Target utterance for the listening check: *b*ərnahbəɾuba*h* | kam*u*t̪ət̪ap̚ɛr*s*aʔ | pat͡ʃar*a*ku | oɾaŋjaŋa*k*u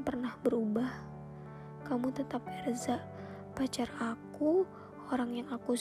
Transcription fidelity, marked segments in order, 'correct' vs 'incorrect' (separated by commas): incorrect, correct, correct, incorrect, correct, correct